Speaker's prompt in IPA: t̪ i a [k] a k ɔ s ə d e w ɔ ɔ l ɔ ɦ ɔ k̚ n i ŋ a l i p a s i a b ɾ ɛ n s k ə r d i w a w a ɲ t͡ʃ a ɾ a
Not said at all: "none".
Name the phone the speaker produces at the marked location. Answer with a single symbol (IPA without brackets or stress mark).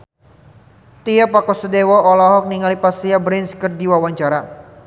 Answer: p